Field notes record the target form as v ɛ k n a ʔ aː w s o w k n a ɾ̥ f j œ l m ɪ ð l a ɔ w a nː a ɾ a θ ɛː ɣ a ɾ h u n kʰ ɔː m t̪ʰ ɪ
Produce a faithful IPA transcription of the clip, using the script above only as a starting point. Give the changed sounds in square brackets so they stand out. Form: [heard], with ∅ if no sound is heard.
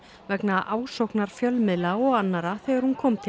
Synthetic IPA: v ɛ k n a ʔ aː w s o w k n a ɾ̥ f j œ l m ɪ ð l a ɔ [ɣ] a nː a ɾ a θ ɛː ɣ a ɾ h u n kʰ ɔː m t̪ʰ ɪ